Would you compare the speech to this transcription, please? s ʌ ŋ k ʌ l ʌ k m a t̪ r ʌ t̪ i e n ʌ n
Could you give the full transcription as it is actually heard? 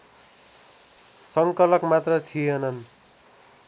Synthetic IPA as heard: s ʌ ŋ k ʌ l ʌ k m a t̪ r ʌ t̪ʰ i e n ʌ n